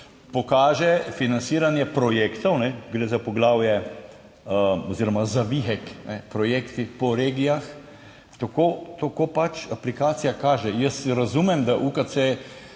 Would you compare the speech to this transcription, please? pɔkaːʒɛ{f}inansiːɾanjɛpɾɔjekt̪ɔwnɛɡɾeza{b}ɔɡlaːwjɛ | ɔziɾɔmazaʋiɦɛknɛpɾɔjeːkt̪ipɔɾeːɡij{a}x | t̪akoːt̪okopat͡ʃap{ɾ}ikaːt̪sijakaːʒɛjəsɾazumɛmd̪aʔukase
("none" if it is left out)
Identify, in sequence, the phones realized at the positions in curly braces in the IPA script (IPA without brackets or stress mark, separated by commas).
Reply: f, p, a, l